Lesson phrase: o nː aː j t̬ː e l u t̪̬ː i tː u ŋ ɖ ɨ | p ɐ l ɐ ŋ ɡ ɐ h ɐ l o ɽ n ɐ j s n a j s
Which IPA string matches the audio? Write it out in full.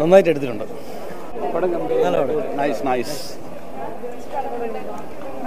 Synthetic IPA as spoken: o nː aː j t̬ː e ɽ u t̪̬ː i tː u ɳ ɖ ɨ | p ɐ ɽ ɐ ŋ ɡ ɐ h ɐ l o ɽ n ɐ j s n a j s

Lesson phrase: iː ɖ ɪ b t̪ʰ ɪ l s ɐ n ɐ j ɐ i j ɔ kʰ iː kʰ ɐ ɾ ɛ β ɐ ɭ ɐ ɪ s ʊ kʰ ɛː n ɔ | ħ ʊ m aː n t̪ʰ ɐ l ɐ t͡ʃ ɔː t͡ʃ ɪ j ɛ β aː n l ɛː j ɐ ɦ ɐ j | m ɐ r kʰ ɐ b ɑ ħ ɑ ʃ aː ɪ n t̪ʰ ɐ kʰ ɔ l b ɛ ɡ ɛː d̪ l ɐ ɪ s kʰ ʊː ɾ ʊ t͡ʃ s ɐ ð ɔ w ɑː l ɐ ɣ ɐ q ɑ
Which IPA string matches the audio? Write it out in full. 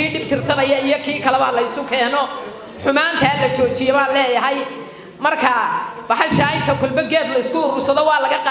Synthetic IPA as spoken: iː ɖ ɪ b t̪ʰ ɪ r s ɐ n ɐ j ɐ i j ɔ kʰ iː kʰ ɐ l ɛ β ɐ l ɐ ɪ s ʊ kʰ ɛː n ɔ | ħ ʊ m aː n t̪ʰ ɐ l ɐ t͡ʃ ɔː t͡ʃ ɪ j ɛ β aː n l ɛː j ɐ ɦ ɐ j | m ɐ r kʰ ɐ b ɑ ħ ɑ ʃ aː ɪ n t̪ʰ ɐ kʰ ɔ l b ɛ ɡ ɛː d̪ l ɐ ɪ s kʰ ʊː ɾ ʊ s ɐ ð ɔ w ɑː l ɐ ɣ ɐ q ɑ

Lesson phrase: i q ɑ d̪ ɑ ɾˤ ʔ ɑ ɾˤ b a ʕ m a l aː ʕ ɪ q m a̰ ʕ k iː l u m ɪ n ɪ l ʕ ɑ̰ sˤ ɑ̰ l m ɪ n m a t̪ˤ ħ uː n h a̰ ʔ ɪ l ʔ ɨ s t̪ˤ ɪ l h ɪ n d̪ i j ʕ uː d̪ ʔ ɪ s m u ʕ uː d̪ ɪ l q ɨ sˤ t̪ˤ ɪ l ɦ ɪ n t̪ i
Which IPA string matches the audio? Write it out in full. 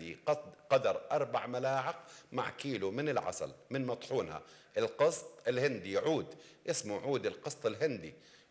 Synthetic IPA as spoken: i q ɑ d̪ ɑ ɾˤ ʔ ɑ ɾˤ b a ʕ m a l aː ʕ ɪ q m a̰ ʕ k iː l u m ɪ n ɪ l ʕ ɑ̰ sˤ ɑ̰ l m ɪ n m ɑ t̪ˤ ħ uː n h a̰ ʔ ɪ l q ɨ s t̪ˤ ɪ l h ɪ n d̪ i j ʕ uː d̪ ʔ ɪ s m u ʕ uː d̪ ɪ l q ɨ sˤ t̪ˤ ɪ l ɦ ɪ n d̪ i

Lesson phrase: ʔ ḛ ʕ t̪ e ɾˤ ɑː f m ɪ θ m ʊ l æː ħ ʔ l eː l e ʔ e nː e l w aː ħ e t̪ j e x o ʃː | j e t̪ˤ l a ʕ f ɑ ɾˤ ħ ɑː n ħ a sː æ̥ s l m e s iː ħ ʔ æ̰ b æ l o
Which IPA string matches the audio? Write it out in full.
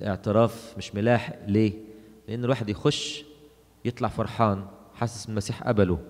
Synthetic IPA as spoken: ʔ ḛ ʕ t̪ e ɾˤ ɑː f m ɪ ʃ m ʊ l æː ħ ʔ l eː l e ʔ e nː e l w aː ħ e d̪ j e x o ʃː | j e t̪ˤ l ɑ ʕ f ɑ ɾˤ ħ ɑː n ħ a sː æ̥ s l m æ s iː ħ ʔ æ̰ b æ l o

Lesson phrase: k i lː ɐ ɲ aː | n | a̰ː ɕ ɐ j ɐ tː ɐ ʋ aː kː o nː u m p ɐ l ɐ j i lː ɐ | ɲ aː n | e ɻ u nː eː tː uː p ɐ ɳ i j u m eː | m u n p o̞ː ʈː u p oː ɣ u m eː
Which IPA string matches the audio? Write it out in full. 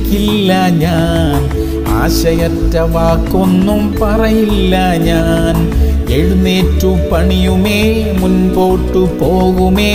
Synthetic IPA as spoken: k i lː ɐ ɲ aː | n | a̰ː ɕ ɐ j ɐ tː ɐ ʋ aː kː o nː u m p ɐ r ɐ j i lː ɐ | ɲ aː n | e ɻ u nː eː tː u p ɐ ɳ i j u m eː | m u n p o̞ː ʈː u p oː ɣ u m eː

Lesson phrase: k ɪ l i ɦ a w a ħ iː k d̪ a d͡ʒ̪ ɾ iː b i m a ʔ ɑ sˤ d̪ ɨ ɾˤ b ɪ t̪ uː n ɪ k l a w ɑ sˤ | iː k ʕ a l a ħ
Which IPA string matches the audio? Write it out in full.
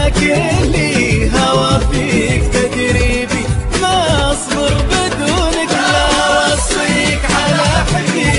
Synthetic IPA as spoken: k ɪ l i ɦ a w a f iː k t̪ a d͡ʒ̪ ɾ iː b i m a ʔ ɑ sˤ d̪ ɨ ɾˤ b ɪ d̪ uː n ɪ k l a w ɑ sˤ | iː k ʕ a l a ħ

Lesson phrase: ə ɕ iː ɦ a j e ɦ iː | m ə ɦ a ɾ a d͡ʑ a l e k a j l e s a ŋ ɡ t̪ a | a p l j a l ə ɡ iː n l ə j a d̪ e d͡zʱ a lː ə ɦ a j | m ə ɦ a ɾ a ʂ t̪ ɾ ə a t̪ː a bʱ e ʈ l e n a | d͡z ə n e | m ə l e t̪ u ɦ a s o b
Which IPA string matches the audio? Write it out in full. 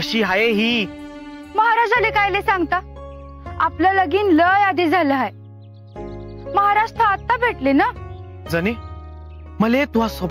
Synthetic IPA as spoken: ə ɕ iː ɦ a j e ɦ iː | m ə ɦ a ɾ a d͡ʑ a l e k a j l e s a ŋ ɡ t̪ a | a p l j a l ə ɡ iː n l ə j a d̪ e d͡zʱ a l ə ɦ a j | m ə ɦ a ɾ a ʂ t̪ ɾ ə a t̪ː a bʱ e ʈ l e n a | d͡z ə n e | m ə l e t̪ u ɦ a s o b

